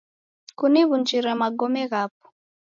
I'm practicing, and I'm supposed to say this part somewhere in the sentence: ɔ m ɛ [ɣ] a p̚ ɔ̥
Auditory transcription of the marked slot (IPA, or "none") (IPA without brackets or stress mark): ɣ